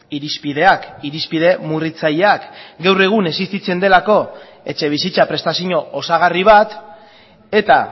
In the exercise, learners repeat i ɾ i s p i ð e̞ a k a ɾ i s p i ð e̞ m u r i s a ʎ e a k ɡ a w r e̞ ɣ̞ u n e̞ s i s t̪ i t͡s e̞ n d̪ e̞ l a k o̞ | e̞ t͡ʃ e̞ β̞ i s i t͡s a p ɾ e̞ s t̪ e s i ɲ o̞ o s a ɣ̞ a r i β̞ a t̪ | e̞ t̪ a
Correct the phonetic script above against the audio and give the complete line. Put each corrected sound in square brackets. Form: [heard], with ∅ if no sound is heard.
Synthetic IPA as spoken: i ɾ i s p i ð e̞ a k [i] ɾ i s p i ð e̞ m u r i [t͡s] a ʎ e a k ɡ a w r e̞ ɣ̞ u n e̞ s i s t̪ i t͡s e̞ n d̪ e̞ l a k o̞ | e̞ t͡ʃ e̞ β̞ i s i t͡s a p ɾ e̞ s t̪ [a] s i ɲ o̞ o s a ɣ̞ a r i β̞ a t̪ | e̞ t̪ a